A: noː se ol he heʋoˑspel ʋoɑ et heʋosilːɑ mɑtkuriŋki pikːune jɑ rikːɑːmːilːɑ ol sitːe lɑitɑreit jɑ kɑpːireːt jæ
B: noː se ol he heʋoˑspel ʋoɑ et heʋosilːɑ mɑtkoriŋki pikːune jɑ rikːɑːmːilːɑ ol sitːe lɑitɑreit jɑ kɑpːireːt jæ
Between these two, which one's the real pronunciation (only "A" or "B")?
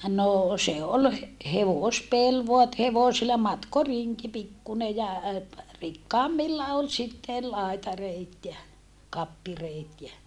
B